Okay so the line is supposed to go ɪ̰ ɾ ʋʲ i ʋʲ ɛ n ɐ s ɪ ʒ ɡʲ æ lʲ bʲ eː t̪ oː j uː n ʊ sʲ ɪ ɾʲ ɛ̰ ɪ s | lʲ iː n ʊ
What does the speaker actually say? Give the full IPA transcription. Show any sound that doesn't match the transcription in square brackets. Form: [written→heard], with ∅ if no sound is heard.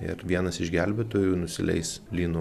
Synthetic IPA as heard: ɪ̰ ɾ ʋʲ i [ʋʲ→∅] ɛ n ɐ s ɪ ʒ ɡʲ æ lʲ bʲ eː t̪ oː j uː n ʊ sʲ ɪ [ɾʲ→lʲ] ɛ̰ ɪ s | lʲ iː n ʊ